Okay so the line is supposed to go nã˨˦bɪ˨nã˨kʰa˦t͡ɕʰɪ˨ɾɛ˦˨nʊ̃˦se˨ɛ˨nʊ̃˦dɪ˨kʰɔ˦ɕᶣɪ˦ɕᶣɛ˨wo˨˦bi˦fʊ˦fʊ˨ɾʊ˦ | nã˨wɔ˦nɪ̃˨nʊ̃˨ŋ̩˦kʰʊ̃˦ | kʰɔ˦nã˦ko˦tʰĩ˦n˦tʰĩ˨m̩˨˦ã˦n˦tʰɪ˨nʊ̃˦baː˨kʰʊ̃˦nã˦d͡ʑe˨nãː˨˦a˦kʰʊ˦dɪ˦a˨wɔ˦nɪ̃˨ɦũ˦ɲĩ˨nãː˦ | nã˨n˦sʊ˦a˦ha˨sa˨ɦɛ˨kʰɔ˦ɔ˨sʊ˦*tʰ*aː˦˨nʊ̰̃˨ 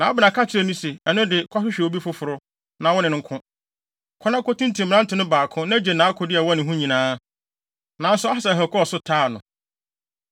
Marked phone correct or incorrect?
correct